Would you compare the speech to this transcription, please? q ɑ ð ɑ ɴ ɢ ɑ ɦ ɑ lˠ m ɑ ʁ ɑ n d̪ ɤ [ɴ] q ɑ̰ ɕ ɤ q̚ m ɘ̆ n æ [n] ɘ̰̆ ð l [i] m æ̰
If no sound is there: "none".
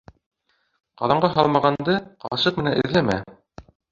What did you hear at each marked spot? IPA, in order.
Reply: none, n, æ

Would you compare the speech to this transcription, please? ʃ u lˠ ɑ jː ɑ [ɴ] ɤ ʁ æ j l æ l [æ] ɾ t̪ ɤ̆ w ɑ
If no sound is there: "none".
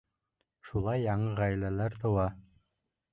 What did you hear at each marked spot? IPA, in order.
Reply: ɴ, æ

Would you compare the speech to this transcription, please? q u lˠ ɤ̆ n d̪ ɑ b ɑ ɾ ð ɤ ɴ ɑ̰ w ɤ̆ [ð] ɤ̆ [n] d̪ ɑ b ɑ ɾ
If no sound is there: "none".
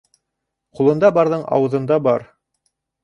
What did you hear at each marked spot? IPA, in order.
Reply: ð, n

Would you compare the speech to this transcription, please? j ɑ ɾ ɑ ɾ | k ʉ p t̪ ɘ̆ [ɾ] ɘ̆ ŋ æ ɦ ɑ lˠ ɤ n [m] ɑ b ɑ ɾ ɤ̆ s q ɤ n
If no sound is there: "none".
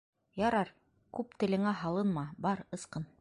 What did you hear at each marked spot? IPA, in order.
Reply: l, m

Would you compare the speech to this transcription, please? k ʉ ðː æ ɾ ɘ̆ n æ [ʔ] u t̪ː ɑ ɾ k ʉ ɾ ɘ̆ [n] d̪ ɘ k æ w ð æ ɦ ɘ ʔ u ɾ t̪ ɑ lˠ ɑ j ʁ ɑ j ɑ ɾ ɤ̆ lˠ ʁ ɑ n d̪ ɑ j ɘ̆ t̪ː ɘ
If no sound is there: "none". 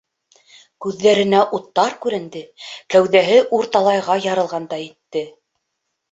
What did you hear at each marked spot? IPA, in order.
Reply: ʔ, n

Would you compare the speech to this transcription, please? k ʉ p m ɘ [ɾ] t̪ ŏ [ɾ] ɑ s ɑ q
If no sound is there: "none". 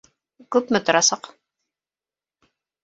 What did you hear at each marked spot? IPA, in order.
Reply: none, ɾ

